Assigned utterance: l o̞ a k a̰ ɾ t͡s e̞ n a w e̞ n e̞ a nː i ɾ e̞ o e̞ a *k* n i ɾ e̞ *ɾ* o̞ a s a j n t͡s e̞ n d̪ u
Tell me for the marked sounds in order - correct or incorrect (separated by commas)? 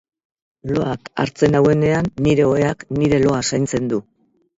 correct, incorrect